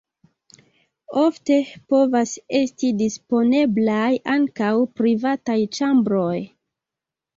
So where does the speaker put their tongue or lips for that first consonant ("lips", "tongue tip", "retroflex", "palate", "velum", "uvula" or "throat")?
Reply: lips